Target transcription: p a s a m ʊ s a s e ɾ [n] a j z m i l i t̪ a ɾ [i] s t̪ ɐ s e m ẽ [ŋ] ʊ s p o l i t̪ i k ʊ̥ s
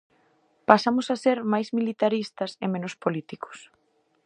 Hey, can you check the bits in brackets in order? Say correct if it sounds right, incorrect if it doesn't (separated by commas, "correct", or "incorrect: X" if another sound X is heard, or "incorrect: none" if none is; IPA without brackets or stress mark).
incorrect: m, correct, incorrect: n